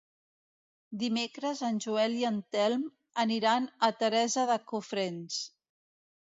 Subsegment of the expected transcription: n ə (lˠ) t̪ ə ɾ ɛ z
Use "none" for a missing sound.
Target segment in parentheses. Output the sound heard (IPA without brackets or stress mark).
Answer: none